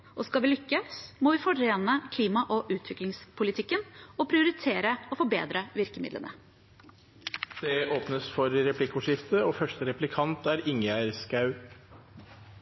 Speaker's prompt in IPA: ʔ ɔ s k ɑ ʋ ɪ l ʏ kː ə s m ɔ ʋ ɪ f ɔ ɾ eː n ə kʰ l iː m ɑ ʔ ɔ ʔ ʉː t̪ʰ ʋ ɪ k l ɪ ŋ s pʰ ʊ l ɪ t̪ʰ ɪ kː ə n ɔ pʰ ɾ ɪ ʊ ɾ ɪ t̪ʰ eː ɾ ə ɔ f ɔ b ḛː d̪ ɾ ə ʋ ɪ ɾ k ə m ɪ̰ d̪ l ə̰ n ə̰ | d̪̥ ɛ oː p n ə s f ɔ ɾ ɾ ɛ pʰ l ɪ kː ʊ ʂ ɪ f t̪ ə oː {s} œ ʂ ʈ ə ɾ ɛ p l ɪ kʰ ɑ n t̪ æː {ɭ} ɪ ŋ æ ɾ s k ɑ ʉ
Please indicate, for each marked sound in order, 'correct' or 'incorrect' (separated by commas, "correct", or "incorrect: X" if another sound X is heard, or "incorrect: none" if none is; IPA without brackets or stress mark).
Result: incorrect: f, incorrect: ɾ